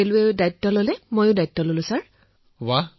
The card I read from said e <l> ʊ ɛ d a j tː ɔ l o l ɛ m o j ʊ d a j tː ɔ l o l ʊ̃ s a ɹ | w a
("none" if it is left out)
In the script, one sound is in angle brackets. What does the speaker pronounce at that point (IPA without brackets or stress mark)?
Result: l